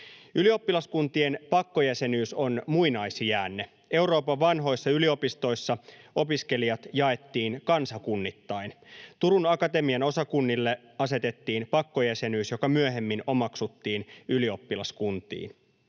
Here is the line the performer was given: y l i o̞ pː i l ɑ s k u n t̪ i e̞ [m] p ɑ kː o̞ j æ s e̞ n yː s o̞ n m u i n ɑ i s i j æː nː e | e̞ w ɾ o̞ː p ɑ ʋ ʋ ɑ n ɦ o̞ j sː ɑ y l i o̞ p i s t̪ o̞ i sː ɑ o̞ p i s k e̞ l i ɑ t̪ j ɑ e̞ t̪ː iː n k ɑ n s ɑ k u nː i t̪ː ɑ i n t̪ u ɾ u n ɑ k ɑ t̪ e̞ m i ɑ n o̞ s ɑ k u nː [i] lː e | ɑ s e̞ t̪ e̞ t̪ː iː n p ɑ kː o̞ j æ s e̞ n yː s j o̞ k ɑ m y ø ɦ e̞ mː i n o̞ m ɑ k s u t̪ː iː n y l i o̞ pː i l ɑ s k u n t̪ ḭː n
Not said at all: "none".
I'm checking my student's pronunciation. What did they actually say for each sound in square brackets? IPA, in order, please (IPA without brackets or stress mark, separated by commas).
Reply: n, i